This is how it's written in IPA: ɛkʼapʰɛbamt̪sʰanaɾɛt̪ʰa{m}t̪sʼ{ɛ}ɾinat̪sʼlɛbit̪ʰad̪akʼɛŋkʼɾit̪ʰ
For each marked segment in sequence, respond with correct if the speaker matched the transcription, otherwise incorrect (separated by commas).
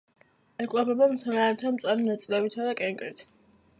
correct, incorrect